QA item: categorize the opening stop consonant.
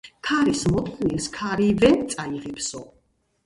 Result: aspirated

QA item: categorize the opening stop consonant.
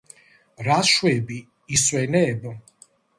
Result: plain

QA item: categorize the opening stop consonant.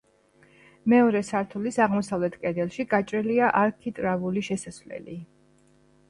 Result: aspirated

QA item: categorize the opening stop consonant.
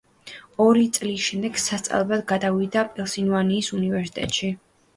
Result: plain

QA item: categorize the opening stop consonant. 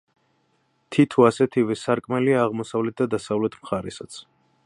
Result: aspirated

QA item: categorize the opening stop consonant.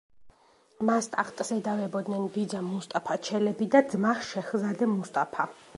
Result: ejective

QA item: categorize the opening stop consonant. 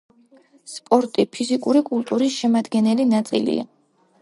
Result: ejective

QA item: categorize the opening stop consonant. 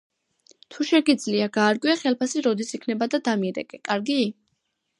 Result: aspirated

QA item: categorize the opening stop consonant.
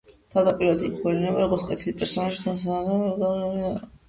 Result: aspirated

